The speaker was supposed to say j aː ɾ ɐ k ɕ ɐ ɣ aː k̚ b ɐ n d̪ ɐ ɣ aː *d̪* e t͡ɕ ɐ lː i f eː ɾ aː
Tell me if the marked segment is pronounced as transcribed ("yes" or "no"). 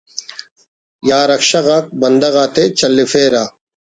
no